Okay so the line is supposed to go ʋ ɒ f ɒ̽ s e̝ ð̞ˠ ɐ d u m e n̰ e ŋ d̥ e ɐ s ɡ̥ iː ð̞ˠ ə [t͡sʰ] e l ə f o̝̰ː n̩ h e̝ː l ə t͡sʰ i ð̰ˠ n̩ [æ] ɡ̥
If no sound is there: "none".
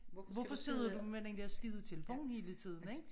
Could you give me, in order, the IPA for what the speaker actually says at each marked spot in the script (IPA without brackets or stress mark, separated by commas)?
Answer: t͡sʰ, e